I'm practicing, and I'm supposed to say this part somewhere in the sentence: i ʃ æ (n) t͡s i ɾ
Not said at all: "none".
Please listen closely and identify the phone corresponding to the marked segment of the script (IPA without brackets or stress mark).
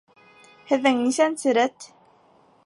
n